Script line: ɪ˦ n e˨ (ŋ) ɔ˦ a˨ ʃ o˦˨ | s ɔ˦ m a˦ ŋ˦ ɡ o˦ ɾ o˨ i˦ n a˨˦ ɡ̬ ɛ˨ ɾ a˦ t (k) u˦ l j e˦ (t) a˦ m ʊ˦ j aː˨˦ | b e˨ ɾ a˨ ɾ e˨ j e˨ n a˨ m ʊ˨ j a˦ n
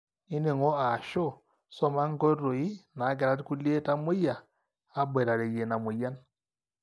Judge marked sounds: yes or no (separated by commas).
yes, yes, yes